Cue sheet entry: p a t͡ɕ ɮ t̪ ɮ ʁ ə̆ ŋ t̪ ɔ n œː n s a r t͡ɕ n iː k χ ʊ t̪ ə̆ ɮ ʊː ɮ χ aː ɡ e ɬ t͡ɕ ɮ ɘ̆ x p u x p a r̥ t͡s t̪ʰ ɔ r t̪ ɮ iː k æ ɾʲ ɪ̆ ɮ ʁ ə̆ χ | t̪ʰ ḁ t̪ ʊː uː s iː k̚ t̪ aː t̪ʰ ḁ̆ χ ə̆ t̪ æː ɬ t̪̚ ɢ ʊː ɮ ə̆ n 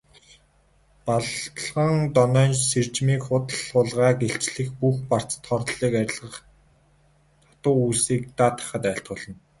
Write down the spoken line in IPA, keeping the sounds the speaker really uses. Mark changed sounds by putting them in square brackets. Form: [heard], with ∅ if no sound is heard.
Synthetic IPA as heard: p a [∅] ɮ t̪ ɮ ʁ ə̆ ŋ t̪ ɔ n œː n s [e] r t͡ɕ [m] iː k χ ʊ t̪ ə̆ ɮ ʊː ɮ [ʁ] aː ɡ e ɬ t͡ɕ ɮ ɘ̆ x p u x p a r̥ t͡s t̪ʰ ɔ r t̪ ɮ iː k æ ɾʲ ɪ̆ ɮ ʁ ə̆ χ | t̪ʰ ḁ t̪ ʊː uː s iː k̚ t̪ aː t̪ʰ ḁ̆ χ ə̆ t̪ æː ɬ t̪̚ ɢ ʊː ɮ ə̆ n